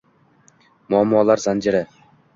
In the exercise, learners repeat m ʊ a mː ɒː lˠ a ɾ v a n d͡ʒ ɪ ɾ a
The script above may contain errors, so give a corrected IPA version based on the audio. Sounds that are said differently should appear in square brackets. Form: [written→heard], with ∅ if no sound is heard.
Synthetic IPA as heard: m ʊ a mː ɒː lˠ a ɾ [v→z] a n d͡ʒ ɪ ɾ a